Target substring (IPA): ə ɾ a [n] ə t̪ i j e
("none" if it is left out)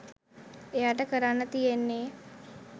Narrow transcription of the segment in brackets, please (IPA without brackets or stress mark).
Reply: nː